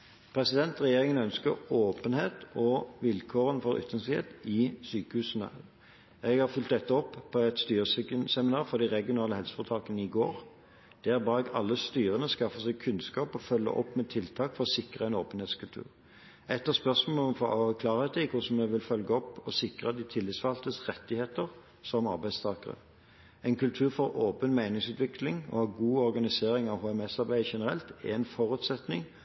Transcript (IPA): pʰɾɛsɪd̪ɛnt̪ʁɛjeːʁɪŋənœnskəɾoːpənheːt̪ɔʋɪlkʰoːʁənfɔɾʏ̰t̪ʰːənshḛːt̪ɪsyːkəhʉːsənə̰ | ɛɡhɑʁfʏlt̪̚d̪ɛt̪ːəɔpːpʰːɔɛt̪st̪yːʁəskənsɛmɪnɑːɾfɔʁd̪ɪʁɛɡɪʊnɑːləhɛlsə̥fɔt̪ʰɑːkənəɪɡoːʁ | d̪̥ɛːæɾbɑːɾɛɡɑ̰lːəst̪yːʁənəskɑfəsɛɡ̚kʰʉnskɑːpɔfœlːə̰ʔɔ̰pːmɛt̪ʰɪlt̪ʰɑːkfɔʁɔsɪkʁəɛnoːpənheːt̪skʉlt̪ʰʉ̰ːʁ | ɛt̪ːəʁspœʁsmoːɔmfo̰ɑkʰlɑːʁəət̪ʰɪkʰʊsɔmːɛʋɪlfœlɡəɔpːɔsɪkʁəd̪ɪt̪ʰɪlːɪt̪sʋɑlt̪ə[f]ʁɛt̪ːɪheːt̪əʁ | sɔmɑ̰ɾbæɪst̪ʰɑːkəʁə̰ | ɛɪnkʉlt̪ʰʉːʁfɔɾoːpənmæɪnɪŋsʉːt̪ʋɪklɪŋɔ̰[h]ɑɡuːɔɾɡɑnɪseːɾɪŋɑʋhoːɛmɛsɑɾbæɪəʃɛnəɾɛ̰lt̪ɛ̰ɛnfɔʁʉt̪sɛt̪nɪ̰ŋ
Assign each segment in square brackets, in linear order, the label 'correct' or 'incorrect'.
incorrect: s, correct

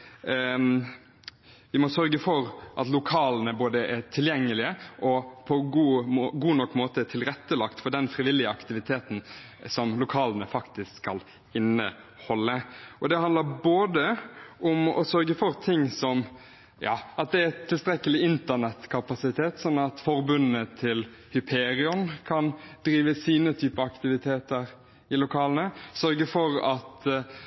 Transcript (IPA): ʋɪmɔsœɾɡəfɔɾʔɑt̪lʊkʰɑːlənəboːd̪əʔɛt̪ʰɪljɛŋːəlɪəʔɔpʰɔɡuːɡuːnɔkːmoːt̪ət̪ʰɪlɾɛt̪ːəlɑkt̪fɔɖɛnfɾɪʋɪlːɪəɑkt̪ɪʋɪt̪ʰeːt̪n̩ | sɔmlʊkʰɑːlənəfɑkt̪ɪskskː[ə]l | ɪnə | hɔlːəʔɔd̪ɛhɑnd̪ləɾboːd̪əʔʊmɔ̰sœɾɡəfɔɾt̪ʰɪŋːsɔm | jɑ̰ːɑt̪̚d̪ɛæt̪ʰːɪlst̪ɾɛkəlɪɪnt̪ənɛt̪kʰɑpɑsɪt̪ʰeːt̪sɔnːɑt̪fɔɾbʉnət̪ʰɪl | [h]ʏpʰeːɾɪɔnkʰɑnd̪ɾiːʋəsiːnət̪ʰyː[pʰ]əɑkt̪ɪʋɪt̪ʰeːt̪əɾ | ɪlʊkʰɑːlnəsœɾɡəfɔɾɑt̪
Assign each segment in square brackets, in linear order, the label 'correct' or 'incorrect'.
incorrect: ɑ, correct, incorrect: p

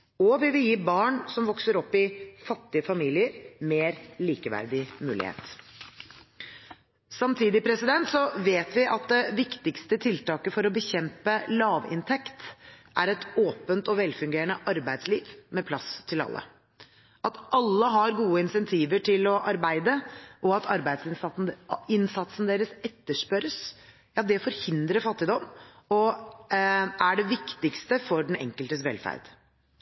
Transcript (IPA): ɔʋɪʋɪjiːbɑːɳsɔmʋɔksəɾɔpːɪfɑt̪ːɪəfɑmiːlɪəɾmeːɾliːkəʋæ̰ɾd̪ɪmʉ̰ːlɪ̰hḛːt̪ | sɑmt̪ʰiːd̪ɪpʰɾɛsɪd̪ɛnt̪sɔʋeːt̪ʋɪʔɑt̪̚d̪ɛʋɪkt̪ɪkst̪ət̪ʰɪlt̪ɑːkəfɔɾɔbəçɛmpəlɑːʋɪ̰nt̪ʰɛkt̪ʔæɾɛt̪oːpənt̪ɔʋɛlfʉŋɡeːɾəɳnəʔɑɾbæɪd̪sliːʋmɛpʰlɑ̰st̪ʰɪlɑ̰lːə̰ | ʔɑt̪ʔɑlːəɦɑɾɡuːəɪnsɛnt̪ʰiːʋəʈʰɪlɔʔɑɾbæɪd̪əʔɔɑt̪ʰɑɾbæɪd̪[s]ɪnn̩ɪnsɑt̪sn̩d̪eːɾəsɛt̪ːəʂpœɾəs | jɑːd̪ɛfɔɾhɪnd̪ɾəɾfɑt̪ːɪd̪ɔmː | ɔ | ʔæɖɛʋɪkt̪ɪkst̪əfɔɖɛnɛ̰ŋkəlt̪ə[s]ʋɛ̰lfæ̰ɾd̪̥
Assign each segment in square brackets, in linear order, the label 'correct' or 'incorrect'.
correct, correct

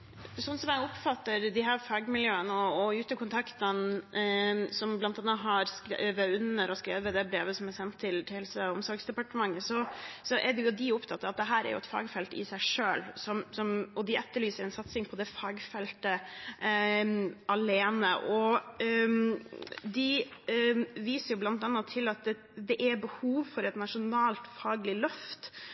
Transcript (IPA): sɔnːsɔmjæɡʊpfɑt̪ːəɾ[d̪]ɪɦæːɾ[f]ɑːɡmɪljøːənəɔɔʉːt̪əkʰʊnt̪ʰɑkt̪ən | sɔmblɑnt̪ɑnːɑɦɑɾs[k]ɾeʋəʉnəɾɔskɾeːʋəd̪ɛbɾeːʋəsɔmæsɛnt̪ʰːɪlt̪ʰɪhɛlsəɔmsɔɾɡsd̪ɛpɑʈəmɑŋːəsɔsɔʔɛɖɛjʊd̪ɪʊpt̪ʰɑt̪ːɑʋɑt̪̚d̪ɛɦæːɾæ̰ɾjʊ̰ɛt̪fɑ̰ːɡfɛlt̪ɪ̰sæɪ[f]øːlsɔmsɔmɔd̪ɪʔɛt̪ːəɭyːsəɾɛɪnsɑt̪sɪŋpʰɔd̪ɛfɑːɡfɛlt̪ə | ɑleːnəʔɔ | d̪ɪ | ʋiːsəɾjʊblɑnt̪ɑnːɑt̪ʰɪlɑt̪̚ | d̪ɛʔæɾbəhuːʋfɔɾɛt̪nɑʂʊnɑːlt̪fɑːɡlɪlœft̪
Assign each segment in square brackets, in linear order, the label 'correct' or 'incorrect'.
correct, correct, correct, incorrect: ʂ

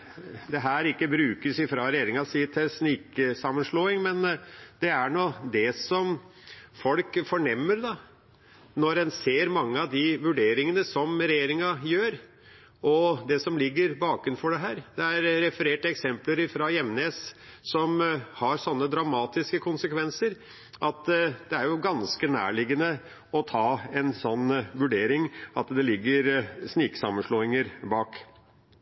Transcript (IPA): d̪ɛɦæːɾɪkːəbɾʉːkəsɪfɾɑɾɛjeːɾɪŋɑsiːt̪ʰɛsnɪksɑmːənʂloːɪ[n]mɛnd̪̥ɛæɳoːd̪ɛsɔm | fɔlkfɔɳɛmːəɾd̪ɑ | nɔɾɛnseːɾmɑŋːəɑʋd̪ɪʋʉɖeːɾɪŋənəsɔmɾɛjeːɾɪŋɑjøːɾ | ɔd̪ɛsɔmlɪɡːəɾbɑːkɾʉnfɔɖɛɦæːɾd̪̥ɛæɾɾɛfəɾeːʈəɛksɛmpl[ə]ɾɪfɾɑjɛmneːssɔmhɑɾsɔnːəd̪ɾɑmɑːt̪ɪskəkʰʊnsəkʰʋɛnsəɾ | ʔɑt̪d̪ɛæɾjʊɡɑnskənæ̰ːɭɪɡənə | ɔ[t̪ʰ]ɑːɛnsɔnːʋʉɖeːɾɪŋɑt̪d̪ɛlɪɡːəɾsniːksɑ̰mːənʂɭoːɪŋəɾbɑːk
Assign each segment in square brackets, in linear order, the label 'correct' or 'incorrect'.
incorrect: ŋ, correct, correct

